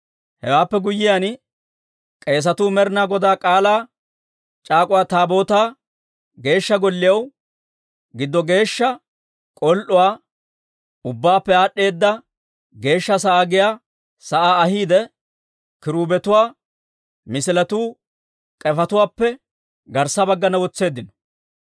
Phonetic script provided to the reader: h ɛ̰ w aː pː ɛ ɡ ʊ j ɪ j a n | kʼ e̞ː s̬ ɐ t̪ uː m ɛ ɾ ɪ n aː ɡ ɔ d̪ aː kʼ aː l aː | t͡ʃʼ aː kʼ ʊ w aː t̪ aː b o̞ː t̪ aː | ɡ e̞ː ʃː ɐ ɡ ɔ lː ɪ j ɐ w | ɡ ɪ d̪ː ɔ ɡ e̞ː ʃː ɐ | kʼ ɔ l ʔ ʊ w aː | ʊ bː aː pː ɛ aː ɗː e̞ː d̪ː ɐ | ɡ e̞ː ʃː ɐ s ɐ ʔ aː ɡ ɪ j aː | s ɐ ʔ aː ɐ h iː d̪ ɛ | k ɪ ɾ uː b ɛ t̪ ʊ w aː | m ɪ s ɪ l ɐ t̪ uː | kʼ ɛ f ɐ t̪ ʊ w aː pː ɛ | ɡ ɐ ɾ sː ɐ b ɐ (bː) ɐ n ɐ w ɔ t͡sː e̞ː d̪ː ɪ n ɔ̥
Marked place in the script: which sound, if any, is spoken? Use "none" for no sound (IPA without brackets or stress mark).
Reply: ɡː